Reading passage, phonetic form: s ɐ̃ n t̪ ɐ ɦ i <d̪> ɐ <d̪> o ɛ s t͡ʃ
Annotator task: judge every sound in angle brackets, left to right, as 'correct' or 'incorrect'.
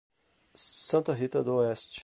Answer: incorrect, correct

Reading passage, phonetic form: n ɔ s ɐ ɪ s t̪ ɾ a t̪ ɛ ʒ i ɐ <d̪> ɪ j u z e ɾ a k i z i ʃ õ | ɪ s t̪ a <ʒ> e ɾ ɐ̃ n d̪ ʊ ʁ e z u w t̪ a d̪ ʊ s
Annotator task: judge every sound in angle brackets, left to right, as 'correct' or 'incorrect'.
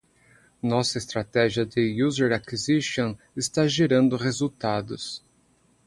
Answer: correct, correct

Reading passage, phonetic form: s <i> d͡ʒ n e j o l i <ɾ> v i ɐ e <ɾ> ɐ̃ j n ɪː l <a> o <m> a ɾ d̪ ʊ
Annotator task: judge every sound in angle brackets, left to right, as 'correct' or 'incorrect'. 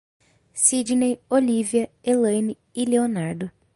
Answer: correct, incorrect, incorrect, incorrect, incorrect

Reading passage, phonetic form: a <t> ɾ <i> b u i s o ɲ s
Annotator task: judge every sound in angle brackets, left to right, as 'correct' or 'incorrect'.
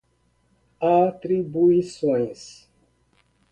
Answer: correct, correct

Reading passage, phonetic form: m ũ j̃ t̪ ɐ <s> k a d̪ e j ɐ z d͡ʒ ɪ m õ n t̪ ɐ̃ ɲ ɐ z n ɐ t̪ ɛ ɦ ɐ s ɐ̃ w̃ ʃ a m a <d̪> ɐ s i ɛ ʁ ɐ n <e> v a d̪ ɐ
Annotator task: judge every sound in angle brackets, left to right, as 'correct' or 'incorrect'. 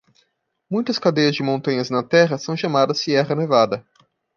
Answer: correct, correct, correct

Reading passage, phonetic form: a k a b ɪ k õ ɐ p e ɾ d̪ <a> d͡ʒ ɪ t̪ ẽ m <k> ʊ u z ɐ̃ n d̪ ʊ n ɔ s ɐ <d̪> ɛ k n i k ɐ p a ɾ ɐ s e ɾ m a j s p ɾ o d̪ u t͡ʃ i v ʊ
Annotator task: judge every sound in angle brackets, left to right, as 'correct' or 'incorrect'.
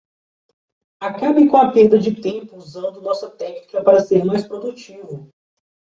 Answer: incorrect, incorrect, incorrect

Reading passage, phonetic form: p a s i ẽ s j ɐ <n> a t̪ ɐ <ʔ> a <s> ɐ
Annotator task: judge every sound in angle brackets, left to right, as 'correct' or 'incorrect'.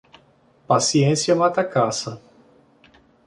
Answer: incorrect, incorrect, correct

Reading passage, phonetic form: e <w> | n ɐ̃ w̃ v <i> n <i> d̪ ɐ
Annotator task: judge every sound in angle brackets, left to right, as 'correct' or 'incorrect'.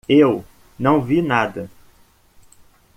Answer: correct, correct, incorrect

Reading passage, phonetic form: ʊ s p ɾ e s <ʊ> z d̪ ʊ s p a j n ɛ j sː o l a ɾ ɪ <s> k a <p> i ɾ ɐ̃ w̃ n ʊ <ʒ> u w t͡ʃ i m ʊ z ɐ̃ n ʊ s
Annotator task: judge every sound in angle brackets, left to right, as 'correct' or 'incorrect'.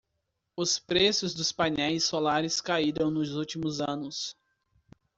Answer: correct, correct, incorrect, incorrect

